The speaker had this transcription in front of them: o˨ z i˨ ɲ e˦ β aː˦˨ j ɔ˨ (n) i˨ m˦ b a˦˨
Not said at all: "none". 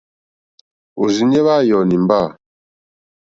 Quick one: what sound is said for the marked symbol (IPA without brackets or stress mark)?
n